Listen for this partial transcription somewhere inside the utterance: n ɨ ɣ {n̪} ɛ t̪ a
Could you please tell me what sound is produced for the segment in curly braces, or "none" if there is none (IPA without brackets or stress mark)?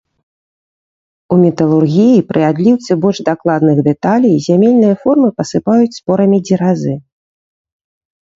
d̪